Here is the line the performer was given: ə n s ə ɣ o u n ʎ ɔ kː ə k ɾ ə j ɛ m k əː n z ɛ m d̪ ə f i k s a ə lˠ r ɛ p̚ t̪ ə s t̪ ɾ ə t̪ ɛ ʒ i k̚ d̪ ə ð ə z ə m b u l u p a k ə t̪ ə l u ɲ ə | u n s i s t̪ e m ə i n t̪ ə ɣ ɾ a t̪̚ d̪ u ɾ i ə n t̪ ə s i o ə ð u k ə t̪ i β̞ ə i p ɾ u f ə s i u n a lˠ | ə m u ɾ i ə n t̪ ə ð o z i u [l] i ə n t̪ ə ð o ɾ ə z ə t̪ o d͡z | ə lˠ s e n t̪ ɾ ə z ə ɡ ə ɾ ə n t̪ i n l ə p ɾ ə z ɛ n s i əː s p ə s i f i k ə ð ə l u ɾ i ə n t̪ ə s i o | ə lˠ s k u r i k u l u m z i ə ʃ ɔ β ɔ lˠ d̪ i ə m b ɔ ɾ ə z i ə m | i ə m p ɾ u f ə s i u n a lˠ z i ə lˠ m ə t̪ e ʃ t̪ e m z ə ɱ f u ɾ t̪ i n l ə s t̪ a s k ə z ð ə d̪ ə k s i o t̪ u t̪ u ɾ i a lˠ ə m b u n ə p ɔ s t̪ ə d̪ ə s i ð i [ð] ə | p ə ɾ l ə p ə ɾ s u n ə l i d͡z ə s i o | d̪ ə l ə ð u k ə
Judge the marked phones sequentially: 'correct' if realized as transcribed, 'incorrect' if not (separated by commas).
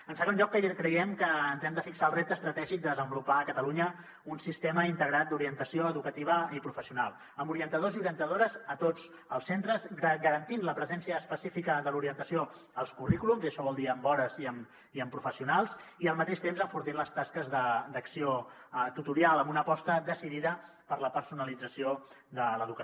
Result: incorrect, correct